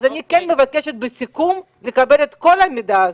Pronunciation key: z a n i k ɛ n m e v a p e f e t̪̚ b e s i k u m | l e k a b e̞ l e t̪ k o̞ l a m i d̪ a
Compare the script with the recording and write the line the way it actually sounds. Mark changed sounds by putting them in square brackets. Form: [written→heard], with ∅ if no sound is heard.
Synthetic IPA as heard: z a n i k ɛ n m e v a [p→k] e [f→ʃ] e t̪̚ b e s i k u m | l e k a b e̞ l e t̪ k o̞ l a m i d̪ a